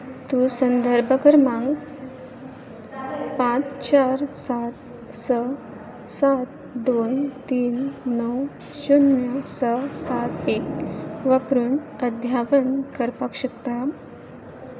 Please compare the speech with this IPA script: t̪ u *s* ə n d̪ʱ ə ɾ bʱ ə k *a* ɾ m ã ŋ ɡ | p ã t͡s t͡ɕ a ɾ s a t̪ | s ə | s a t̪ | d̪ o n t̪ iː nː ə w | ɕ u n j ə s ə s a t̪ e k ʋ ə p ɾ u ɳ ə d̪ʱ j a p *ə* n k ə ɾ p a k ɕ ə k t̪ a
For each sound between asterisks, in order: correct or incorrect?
correct, incorrect: ə, correct

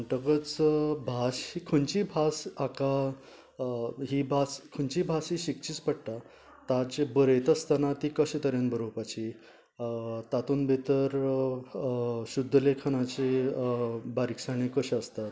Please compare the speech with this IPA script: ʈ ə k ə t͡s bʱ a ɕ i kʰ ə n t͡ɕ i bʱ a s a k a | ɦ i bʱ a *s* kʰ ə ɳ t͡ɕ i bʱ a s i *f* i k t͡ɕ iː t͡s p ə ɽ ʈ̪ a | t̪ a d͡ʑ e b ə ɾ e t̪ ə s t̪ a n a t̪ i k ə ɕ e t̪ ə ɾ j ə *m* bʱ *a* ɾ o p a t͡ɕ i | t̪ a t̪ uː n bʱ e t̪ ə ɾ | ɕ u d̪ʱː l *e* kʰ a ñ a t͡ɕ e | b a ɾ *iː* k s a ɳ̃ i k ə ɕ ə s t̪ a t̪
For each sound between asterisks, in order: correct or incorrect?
correct, incorrect: ɕ, incorrect: n, incorrect: ə, correct, incorrect: i

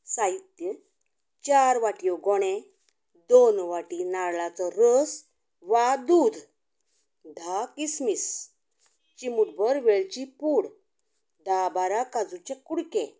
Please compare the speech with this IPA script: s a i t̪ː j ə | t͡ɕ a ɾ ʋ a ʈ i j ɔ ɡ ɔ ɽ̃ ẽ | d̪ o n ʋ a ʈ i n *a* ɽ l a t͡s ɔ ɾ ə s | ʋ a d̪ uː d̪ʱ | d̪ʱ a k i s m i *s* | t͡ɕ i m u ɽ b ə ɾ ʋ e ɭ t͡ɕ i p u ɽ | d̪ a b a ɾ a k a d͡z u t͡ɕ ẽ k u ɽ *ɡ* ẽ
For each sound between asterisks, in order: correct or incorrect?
correct, correct, incorrect: k

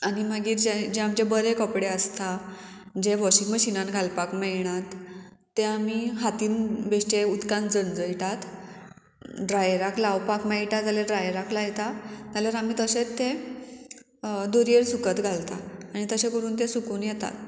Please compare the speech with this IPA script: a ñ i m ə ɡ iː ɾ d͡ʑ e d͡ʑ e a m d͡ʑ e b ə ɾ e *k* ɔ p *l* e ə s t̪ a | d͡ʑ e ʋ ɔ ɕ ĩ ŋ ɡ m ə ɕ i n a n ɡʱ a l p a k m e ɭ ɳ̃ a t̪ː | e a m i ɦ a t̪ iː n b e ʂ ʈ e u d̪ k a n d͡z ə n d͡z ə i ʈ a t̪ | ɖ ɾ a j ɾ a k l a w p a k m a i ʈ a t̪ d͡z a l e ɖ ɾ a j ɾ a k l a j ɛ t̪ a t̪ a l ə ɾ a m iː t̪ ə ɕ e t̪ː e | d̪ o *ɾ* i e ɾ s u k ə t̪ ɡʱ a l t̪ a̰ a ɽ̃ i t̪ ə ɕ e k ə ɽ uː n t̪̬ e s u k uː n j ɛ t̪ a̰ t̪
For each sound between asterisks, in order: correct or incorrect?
correct, incorrect: ɽ, correct

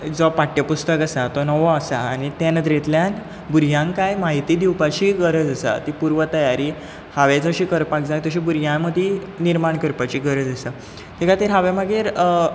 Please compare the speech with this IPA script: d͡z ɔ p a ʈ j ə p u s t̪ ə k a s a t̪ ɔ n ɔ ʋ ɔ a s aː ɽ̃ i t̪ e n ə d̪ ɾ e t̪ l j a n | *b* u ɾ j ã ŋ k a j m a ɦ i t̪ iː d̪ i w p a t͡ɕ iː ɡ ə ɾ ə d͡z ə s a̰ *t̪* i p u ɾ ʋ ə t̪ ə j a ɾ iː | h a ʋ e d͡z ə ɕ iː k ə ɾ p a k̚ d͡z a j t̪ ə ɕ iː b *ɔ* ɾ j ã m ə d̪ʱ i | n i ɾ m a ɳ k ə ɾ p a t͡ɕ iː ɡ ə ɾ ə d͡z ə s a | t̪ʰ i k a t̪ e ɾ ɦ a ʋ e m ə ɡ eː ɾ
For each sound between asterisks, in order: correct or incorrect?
correct, correct, incorrect: u

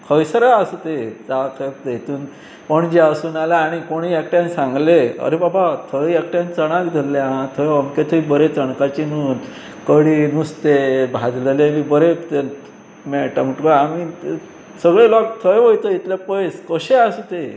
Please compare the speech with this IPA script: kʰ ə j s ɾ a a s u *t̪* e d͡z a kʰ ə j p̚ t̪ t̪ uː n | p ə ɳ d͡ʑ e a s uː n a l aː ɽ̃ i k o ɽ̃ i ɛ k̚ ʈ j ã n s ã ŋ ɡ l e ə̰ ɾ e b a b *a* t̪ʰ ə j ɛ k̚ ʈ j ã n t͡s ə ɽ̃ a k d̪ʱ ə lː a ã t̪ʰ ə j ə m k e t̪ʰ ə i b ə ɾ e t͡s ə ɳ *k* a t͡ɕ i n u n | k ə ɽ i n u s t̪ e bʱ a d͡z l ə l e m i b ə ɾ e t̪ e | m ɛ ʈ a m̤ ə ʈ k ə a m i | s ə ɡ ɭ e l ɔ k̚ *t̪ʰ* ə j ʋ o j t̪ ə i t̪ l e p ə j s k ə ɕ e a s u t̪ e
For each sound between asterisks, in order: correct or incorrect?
correct, correct, correct, correct

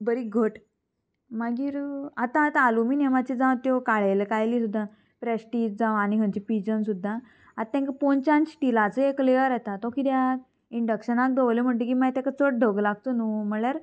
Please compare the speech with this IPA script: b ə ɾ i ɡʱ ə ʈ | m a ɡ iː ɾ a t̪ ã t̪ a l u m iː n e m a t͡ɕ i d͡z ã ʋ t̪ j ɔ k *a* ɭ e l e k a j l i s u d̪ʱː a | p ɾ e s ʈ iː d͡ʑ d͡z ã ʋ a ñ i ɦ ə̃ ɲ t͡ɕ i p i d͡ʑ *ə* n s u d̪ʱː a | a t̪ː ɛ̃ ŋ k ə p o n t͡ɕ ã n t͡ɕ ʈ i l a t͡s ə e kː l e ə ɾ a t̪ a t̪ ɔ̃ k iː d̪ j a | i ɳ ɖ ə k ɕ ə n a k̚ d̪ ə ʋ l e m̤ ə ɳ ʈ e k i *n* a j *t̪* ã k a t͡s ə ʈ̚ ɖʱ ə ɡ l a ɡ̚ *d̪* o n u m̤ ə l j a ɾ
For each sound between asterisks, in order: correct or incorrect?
correct, correct, incorrect: m, correct, incorrect: t̪

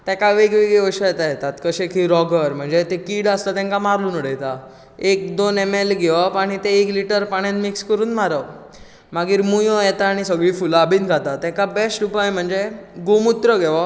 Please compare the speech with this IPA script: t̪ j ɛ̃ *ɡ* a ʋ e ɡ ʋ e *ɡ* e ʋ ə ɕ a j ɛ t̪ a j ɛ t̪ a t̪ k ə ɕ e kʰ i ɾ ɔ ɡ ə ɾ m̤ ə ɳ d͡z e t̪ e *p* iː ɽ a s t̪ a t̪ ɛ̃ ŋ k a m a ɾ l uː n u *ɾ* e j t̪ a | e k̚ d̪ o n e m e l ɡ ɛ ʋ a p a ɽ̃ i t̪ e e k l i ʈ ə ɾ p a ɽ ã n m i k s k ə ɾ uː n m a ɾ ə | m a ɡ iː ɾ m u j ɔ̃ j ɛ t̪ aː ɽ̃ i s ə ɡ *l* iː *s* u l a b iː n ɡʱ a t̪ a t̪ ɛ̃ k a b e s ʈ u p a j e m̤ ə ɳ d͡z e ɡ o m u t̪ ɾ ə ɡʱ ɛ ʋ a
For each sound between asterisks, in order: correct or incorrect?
incorrect: k, correct, incorrect: k, incorrect: ɽ, incorrect: ɭ, incorrect: f

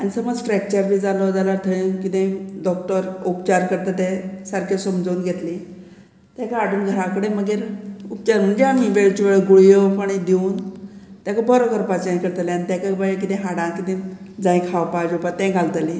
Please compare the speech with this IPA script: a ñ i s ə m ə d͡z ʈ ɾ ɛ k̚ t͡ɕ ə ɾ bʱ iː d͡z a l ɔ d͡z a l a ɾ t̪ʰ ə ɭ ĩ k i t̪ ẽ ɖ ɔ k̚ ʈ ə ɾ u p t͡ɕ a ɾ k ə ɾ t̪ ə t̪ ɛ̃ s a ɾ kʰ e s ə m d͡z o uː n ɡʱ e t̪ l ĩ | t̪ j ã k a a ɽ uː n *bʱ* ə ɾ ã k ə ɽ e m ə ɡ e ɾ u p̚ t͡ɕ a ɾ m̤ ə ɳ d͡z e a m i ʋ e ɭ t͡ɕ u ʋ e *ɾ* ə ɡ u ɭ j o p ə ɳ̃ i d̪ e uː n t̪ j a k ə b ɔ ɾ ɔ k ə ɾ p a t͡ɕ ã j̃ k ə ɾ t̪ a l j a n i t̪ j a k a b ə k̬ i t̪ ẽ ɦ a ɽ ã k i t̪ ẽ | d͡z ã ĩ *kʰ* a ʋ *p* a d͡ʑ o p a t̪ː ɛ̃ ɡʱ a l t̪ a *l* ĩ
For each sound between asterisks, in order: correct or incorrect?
incorrect: ɡʱ, incorrect: ɭ, correct, correct, correct

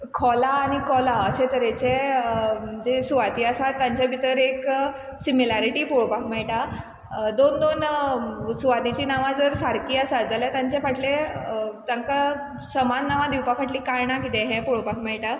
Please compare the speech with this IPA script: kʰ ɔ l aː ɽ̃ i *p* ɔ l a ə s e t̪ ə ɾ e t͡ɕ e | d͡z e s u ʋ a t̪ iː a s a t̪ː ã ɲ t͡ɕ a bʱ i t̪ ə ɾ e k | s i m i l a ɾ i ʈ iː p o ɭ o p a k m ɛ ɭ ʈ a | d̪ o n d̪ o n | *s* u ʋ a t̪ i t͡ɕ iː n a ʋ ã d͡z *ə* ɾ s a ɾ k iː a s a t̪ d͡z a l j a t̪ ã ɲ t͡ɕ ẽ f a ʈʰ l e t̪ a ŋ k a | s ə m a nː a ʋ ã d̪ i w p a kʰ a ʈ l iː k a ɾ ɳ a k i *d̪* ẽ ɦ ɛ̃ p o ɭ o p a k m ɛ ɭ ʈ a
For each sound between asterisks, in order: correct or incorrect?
incorrect: k, correct, correct, incorrect: t̪

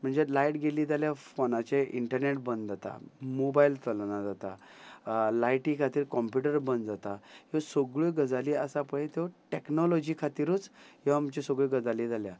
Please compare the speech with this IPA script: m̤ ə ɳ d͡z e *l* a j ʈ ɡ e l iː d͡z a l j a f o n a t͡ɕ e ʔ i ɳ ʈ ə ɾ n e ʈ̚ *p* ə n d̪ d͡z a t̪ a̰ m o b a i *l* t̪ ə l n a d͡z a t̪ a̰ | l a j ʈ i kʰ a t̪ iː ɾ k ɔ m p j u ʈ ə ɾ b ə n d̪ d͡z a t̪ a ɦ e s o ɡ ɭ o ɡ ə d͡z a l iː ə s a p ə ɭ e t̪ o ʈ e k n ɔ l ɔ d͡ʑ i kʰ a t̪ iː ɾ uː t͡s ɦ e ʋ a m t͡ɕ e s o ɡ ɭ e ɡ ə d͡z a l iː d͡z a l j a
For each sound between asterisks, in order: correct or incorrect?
correct, incorrect: b, correct

